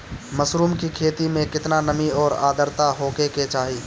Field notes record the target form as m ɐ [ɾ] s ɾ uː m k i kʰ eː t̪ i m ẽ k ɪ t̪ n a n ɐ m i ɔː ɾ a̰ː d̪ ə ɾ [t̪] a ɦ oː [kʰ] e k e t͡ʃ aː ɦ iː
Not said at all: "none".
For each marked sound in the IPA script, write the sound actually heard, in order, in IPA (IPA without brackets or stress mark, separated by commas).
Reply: none, t̪, k